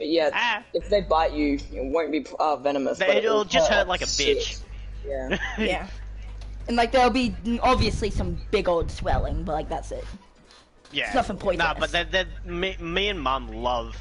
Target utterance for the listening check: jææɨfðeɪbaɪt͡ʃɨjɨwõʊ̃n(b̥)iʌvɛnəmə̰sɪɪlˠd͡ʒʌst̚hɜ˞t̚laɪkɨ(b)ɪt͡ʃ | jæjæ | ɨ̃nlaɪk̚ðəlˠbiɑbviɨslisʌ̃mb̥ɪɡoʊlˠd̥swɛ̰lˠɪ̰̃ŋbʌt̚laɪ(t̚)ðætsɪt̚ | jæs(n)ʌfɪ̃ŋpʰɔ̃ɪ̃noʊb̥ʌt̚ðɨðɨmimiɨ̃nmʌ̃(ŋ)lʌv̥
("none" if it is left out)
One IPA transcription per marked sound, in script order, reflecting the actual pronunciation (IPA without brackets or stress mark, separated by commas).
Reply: b̥, b, k̚, n, m